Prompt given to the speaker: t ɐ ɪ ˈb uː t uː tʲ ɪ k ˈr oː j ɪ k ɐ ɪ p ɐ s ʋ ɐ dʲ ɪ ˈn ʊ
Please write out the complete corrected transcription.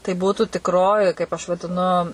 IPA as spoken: t ɐ ɪ ˈb uː t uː tʲ ɪ k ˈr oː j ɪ k ɐ ɪ p ɐ ʃ ʋ ɐ dʲ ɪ ˈn ʊ